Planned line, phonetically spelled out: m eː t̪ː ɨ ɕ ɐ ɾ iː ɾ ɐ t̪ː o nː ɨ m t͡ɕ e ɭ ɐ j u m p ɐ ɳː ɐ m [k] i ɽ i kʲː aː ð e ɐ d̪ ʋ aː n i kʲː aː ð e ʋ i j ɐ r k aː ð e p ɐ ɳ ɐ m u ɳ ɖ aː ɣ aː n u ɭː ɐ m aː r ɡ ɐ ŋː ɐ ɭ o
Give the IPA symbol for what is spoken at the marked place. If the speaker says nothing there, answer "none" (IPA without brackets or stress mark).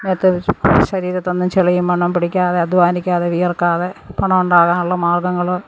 p